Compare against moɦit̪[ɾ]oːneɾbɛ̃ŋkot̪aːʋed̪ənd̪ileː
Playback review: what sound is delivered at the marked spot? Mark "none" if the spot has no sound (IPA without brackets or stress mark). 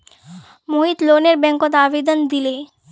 l